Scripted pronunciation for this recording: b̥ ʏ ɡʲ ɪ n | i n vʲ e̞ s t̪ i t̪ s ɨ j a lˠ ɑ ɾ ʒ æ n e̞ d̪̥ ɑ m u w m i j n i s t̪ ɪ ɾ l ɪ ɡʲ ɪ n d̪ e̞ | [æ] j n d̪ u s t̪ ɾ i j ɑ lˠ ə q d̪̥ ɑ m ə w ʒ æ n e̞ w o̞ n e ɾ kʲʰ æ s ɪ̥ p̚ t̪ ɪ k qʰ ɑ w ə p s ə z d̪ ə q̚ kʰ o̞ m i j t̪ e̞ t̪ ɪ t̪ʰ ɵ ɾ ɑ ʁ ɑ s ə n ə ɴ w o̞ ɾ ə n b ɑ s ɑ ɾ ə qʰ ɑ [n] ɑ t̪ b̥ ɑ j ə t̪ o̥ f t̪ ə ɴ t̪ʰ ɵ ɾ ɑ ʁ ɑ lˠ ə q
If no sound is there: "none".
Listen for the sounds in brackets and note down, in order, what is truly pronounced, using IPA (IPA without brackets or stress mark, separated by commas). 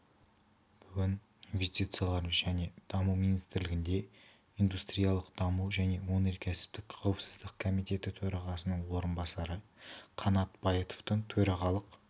i, n